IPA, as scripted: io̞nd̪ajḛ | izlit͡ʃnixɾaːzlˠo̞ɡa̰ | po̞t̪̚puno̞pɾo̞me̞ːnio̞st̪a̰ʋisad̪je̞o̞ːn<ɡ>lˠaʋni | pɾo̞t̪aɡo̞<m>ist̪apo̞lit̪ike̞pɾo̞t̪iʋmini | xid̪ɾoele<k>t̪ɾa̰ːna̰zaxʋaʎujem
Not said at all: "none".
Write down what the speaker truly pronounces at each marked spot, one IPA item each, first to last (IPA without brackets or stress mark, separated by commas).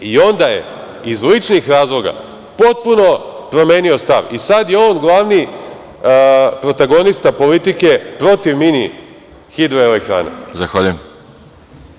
ɡ, n, k